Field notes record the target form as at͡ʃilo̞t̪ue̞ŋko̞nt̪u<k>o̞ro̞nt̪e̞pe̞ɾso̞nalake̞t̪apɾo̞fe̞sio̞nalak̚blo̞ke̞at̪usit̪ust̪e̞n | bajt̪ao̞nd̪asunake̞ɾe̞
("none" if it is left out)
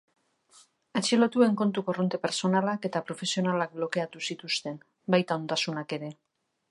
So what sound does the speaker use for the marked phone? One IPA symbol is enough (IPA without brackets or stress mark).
k